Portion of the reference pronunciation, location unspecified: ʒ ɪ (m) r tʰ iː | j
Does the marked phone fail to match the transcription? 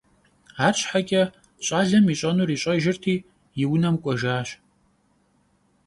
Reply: yes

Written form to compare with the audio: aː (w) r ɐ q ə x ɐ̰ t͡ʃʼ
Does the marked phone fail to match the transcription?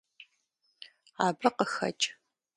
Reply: yes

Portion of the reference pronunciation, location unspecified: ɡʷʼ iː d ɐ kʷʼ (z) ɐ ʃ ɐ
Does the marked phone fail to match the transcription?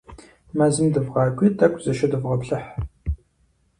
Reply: no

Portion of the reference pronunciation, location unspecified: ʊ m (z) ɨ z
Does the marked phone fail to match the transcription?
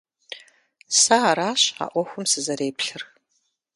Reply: yes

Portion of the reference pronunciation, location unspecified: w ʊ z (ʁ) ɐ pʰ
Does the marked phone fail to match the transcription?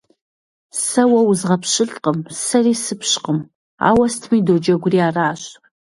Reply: no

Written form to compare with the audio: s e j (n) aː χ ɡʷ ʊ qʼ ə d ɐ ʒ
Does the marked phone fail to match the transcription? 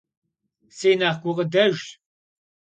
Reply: no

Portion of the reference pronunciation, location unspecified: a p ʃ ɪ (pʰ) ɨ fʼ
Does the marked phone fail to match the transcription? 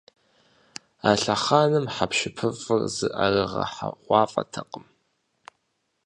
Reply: no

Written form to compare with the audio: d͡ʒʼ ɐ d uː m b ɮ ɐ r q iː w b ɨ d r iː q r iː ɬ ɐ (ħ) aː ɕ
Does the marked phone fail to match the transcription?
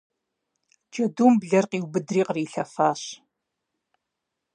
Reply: yes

